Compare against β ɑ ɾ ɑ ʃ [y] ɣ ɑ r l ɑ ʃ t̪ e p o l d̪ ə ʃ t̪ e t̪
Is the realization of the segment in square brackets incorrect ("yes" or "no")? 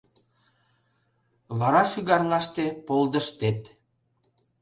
no